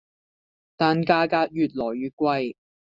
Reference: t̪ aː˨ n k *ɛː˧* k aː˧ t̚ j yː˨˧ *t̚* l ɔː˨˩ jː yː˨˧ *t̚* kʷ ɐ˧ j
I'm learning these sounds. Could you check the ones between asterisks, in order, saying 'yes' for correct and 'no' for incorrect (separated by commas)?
no, yes, yes